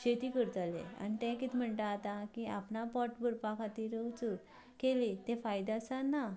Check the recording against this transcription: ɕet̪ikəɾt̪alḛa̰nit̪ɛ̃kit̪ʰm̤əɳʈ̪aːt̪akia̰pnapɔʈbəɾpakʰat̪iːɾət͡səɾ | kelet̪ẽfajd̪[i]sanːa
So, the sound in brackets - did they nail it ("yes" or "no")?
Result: no